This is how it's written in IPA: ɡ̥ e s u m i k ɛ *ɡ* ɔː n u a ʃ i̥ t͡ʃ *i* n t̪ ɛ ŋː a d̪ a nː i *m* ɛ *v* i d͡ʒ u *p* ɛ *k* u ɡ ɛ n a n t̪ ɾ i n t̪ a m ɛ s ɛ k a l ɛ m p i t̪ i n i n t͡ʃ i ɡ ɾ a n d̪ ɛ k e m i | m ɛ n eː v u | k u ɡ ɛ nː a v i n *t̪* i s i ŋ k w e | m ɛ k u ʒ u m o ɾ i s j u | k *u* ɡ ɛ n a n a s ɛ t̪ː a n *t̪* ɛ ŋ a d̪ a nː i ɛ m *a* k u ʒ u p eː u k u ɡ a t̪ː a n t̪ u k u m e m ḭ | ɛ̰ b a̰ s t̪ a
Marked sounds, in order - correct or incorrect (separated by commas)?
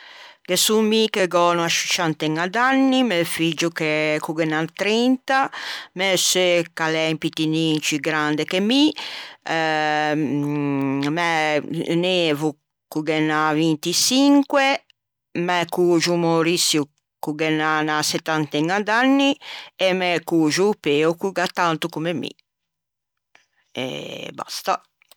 correct, incorrect, correct, incorrect, incorrect, correct, correct, correct, correct, incorrect